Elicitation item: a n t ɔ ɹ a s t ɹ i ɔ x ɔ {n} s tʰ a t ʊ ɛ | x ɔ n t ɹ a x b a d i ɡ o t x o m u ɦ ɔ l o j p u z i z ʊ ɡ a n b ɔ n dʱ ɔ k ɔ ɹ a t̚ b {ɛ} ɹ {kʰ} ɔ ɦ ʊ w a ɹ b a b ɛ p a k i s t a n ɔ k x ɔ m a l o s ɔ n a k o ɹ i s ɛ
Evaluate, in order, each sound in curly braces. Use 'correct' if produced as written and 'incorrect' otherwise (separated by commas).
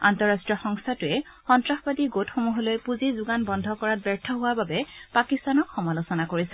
incorrect, correct, incorrect